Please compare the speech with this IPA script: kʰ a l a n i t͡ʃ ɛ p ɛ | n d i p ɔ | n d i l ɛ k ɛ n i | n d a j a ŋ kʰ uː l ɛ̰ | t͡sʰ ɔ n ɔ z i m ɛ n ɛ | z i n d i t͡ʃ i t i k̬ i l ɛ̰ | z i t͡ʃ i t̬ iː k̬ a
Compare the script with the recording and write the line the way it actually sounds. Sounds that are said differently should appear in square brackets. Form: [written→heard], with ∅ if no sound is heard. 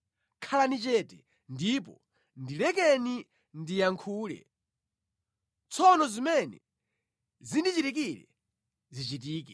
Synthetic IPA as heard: kʰ a l a n i t͡ʃ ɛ [p→t] ɛ | n d i p ɔ | n d i l ɛ k ɛ n i | n d [a→i] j a ŋ kʰ uː l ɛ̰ | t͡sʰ ɔ n ɔ z i m ɛ n ɛ | z i n d i t͡ʃ i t i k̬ i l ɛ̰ | z i t͡ʃ i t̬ iː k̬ [a→ɛ]